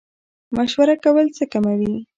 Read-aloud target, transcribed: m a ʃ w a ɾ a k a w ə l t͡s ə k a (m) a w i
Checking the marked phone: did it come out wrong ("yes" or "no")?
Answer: no